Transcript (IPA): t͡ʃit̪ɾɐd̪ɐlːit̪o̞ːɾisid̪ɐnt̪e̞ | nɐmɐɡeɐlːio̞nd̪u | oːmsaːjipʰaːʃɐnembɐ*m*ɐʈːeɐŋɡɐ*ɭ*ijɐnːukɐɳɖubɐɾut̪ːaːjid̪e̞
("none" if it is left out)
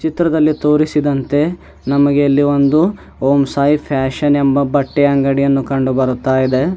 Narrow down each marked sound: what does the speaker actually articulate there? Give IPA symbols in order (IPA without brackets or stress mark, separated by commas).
b, ɽ